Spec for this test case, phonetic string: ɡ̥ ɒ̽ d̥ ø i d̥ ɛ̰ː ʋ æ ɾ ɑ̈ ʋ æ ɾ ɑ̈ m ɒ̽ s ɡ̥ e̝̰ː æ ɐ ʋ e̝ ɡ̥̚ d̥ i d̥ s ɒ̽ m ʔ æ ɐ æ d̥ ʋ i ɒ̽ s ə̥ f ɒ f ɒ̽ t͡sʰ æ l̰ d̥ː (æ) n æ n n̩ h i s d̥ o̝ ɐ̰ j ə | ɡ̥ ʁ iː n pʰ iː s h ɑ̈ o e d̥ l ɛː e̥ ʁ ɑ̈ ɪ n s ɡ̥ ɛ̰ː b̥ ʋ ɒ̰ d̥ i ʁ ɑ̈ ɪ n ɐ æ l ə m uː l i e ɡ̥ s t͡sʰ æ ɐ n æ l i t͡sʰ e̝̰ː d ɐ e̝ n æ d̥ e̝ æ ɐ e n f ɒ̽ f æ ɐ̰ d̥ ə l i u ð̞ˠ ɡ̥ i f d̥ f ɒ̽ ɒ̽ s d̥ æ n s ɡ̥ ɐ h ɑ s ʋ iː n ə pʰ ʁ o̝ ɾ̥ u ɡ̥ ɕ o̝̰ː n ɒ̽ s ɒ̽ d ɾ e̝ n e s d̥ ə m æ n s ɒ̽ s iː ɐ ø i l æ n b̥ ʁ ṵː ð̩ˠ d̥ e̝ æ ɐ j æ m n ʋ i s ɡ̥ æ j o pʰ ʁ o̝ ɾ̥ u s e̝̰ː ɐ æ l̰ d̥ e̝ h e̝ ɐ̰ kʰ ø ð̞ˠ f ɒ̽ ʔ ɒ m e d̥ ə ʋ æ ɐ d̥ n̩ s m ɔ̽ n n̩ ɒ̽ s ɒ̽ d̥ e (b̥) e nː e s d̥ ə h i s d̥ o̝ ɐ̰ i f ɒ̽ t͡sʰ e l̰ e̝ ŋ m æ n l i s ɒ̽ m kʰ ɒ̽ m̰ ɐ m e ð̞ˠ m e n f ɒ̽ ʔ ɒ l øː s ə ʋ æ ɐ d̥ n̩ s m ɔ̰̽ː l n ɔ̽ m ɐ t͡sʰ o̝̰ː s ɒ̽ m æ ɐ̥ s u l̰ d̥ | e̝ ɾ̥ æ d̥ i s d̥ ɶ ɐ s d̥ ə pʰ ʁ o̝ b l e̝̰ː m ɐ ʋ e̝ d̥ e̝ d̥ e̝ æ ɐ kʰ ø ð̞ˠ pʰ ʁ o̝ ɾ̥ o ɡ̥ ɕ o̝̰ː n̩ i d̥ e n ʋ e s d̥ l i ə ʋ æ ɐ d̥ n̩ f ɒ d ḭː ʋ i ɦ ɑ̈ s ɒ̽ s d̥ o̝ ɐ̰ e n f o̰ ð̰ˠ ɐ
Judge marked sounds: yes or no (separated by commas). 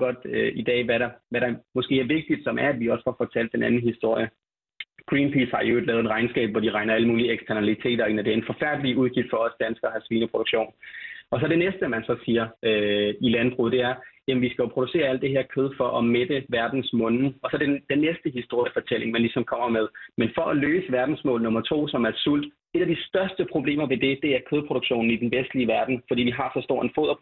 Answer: no, no